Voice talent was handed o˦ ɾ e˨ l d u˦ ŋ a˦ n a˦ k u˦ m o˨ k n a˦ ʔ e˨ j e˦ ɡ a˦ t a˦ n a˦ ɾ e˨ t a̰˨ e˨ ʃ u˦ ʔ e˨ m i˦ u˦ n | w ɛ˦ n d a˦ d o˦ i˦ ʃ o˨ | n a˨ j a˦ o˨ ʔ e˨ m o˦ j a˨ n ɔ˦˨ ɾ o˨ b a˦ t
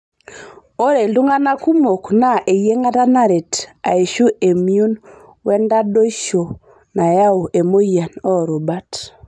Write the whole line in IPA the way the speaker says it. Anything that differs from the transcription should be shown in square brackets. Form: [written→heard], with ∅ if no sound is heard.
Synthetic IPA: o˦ ɾ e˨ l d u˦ ŋ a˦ n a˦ k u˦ m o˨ k n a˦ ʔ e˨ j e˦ [ɡ→ŋ] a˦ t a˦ n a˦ ɾ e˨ t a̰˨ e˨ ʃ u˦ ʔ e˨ m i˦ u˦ n | w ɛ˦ n d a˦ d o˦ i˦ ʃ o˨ | n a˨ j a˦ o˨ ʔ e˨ m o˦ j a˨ n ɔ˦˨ ɾ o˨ b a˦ t